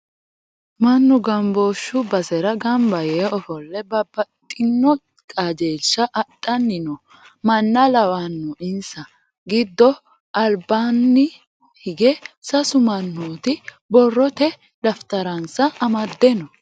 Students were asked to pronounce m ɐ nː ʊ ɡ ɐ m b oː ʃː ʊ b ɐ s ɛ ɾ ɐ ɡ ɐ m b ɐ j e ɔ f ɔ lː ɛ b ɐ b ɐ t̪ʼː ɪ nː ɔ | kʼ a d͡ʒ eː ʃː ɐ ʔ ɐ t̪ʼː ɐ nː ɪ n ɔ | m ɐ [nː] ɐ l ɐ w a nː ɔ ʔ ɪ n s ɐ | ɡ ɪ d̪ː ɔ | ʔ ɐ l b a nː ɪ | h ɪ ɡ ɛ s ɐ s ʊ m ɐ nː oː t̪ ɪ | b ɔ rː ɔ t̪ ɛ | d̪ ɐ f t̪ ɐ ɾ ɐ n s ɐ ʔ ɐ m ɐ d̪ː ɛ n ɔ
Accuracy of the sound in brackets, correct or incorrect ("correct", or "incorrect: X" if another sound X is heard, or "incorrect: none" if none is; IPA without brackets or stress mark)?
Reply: correct